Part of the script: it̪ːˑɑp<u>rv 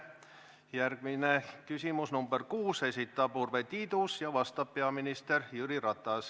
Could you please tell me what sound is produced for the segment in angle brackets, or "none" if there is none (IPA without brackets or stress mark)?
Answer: u